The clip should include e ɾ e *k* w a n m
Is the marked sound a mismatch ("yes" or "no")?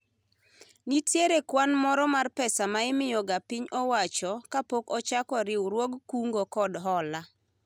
no